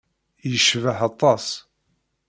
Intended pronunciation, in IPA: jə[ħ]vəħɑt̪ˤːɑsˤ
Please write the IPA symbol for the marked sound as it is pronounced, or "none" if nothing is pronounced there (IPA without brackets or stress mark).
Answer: ʃ